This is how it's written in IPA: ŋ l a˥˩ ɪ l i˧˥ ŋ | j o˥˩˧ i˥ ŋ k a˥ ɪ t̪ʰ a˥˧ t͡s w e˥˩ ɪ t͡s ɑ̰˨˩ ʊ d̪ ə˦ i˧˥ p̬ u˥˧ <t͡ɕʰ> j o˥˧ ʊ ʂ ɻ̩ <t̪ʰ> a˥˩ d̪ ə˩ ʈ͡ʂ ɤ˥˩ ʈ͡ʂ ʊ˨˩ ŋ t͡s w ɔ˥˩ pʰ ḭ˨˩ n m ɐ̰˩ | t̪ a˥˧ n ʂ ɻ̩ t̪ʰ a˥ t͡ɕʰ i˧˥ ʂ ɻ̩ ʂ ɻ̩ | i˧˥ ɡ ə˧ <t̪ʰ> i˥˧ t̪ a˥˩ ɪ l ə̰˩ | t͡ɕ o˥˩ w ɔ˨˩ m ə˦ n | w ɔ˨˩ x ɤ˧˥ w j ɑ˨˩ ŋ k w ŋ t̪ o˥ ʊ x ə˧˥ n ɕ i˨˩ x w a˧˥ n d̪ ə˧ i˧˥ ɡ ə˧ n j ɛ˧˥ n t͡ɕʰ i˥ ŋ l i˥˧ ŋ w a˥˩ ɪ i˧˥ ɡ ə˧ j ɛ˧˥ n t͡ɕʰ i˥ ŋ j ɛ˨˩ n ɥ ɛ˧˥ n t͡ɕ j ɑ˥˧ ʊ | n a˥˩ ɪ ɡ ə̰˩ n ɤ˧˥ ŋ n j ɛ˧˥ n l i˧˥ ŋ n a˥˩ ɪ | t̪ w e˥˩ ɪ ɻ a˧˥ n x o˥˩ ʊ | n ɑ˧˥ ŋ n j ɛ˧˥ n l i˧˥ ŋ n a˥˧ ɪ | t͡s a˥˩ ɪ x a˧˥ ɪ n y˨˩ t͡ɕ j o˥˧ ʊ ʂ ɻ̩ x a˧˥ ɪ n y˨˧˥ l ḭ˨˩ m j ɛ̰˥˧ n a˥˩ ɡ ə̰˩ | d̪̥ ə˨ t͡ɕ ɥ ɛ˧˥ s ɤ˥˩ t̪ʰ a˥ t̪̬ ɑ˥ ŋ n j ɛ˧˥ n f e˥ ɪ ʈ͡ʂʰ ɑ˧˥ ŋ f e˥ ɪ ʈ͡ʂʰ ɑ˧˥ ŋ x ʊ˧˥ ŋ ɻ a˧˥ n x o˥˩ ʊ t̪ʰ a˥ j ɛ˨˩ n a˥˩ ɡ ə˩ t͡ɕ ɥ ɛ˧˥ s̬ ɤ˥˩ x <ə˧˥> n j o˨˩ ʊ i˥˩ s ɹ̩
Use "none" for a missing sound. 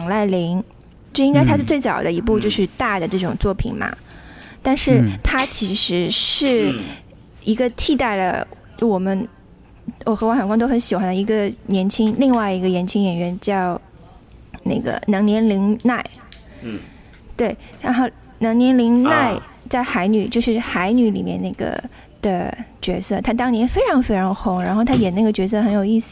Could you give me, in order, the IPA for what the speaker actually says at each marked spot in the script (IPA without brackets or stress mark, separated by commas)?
t͡ɕ, t̪, t̪ʰ, ə˧˥